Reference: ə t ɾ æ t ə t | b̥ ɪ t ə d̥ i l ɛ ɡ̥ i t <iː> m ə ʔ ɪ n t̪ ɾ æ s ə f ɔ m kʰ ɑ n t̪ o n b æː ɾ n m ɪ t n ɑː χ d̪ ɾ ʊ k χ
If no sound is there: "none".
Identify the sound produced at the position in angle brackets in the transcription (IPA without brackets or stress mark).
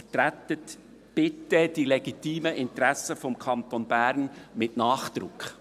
iː